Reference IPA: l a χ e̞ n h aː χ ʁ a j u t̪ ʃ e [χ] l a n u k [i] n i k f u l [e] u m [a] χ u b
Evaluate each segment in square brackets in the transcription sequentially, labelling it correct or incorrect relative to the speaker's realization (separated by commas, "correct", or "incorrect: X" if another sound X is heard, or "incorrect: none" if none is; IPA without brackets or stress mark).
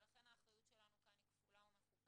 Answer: incorrect: none, incorrect: a, incorrect: a, incorrect: e